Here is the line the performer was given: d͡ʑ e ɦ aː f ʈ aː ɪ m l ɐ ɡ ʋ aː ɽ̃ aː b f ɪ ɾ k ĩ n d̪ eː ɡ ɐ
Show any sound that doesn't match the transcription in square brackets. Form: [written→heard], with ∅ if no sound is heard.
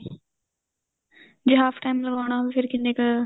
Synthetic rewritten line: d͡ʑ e ɦ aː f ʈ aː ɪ m l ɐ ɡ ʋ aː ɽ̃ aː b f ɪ ɾ k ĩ n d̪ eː [ɡ→k] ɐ